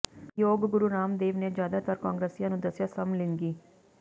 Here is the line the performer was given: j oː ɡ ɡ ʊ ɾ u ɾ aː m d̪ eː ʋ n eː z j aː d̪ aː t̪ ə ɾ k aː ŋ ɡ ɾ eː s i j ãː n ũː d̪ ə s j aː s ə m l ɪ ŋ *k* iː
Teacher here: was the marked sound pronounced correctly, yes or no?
no